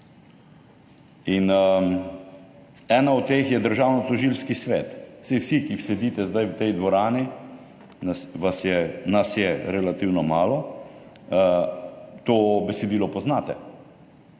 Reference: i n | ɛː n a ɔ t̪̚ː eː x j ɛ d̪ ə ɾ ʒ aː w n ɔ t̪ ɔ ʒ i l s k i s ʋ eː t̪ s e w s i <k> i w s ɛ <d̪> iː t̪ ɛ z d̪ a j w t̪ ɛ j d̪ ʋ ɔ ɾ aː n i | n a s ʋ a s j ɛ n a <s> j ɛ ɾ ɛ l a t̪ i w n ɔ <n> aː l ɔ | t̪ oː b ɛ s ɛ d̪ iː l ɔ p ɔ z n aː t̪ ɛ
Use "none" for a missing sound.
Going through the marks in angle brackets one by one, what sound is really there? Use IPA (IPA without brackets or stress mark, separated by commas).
k, d̪, s, m